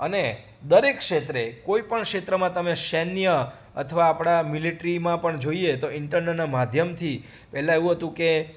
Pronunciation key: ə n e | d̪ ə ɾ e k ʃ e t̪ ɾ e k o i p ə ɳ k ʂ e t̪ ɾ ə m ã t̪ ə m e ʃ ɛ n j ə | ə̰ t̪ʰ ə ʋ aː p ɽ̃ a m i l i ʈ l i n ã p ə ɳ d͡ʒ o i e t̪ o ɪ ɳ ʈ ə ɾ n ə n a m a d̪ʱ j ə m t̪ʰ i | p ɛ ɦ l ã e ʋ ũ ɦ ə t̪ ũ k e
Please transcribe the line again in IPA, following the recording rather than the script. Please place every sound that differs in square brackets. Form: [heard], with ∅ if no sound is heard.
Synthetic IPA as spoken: ə n e | d̪ ə ɾ e k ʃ e t̪ ɾ e k o i p ə ɳ k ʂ e t̪ ɾ ə m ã t̪ ə m e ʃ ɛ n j ə | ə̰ t̪ʰ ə ʋ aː p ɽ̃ a m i l i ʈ [ɾ] i [m] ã p ə ɳ d͡ʒ o i e t̪ o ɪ ɳ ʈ ə ɾ n ə n a m a d̪ʱ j ə m t̪ʰ i | p ɛ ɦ l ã e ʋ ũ ɦ ə t̪ ũ k e